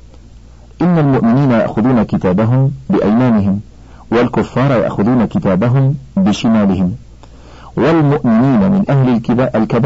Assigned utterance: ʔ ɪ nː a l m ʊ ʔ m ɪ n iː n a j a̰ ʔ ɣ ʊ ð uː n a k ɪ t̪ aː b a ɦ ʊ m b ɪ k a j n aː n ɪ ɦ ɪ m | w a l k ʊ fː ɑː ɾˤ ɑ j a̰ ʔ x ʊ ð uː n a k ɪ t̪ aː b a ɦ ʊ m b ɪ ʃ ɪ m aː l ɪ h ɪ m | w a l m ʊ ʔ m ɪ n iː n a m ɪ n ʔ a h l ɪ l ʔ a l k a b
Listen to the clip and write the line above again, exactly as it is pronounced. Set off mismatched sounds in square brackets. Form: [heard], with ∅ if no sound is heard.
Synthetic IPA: ʔ ɪ nː a l m ʊ ʔ m ɪ n iː n a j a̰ ʔ [x] ʊ ð uː n a k ɪ t̪ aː b a ɦ ʊ m b ɪ [ʔ] a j [m] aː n ɪ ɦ ɪ m | w a l k ʊ fː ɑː ɾˤ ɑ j a̰ ʔ x ʊ ð uː n a k ɪ t̪ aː b a ɦ ʊ m b ɪ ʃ ɪ m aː l ɪ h ɪ m | w a l m ʊ ʔ m ɪ n iː n a m ɪ n ʔ a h l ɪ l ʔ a l k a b